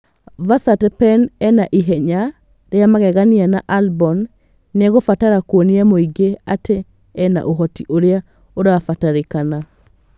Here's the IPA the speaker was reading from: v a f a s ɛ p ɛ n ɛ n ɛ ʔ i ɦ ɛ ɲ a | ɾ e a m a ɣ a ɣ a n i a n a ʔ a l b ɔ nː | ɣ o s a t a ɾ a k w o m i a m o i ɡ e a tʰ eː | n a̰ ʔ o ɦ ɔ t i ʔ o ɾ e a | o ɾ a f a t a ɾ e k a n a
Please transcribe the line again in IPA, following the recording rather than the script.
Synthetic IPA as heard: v a s a t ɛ p ɛ n ɛ n a ʔ i ɦ ɛ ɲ a | ɾ e a m a ɣ ɛ ɣ a n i a n a ʔ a l b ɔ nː | ɣ o f a t a ɾ a k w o n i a m o i ɡ e a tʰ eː | n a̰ ʔ o ɦ ɔ t i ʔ o ɾ e a | o ɾ a f a t a ɾ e k a n a